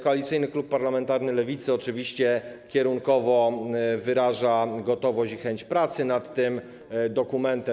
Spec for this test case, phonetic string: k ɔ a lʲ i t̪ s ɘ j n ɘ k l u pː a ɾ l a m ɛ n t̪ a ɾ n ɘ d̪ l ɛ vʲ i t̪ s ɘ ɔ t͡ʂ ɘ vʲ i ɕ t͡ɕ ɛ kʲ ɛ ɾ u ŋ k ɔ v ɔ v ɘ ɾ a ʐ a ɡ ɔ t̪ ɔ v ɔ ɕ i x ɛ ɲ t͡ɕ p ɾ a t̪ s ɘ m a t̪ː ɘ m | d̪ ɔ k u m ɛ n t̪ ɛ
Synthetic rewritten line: k ɔ a lʲ i t̪ s ɘ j n ɘ k l u pː a ɾ l a m ɛ n t̪ a ɾ n ɘ l ɛ vʲ i t̪ s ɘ ɔ t͡ʂ ɘ vʲ i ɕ t͡ɕ ɛ kʲ ɛ ɾ u ŋ k ɔ v ɔ v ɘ ɾ a ʐ a ɡ ɔ t̪ ɔ v ɔ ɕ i x ɛ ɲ t͡ɕ p ɾ a t̪ s ɘ n a t̪ː ɘ m | d̪ ɔ k u m ɛ n t̪ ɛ